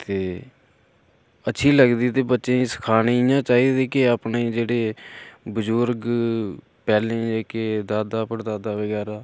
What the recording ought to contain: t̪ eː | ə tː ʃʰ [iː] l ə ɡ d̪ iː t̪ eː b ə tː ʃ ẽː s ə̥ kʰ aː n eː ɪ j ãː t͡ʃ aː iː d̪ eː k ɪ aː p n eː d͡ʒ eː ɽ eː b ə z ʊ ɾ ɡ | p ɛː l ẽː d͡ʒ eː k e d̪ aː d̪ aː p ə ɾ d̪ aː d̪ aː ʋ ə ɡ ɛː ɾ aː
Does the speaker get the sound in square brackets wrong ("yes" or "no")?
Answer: no